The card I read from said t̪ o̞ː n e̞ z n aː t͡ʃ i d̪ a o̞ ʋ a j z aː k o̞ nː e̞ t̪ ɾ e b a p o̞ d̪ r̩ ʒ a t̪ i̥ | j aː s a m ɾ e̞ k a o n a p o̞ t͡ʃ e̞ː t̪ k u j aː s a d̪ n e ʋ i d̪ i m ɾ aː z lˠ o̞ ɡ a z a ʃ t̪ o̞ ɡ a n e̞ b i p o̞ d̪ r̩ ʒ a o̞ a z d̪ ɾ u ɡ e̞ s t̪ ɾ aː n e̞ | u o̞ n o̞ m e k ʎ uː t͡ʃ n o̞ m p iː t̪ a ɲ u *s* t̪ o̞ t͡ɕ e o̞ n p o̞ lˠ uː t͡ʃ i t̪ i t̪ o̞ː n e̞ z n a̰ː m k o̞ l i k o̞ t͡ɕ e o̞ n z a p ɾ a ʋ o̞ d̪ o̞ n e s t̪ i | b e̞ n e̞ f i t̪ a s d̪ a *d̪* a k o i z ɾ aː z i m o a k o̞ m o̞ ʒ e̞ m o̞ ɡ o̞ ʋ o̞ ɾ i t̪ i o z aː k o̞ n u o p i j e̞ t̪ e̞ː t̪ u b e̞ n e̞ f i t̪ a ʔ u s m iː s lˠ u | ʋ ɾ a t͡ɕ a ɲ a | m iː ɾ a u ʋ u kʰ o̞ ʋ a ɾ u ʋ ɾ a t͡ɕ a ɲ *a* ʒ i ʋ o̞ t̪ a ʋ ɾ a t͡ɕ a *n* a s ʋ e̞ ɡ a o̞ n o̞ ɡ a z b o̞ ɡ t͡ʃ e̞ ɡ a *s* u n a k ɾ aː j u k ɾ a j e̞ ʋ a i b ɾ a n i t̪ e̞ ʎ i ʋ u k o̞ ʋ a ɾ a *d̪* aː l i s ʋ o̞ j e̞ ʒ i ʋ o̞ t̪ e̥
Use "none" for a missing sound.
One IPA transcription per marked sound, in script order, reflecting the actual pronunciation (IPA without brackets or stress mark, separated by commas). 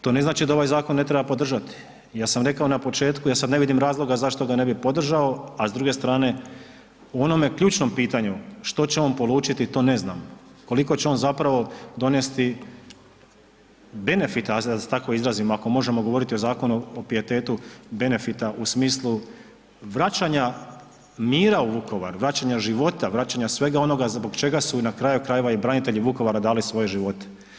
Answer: ʃ, t̪, a, ɲ, s, d̪